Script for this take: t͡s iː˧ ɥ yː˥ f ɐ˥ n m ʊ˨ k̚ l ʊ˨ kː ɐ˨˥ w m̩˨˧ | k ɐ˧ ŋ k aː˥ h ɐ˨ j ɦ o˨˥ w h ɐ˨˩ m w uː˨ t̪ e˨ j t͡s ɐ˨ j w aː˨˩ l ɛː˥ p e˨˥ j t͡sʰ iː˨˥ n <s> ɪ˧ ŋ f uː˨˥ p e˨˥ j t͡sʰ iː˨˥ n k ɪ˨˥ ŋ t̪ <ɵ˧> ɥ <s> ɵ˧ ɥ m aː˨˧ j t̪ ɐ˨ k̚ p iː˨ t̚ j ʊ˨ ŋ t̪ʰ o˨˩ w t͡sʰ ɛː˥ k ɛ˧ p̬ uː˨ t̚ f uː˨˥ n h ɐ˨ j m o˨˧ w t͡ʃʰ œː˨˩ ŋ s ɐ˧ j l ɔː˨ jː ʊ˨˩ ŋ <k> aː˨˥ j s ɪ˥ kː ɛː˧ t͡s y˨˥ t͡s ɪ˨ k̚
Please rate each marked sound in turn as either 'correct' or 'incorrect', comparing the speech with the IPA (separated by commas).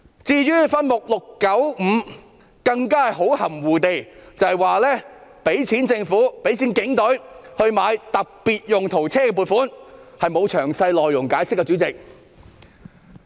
incorrect, incorrect, incorrect, correct